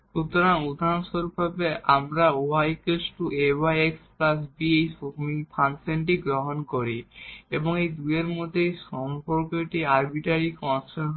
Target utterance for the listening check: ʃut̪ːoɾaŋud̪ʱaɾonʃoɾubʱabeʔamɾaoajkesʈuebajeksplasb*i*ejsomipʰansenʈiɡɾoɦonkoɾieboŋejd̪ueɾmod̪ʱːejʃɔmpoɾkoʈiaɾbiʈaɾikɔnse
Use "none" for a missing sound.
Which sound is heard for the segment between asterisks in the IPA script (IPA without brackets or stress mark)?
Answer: i